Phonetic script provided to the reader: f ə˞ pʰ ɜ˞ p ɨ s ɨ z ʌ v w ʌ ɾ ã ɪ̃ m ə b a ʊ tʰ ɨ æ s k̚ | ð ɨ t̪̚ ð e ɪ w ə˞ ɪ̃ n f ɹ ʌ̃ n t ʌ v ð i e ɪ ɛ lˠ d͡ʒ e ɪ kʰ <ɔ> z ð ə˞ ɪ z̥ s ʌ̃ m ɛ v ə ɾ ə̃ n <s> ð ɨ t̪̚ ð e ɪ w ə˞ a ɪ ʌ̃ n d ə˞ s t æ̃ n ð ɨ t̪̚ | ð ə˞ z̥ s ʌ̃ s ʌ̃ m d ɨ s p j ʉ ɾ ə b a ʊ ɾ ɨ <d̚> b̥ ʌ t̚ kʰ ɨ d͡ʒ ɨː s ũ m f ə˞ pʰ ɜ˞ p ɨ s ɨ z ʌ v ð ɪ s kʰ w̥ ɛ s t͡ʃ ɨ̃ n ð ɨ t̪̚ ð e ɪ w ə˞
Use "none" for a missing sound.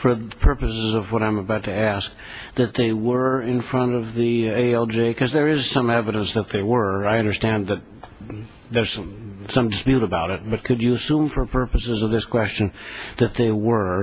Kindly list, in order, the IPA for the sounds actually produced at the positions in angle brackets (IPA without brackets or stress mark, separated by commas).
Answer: ʌ, s, t̚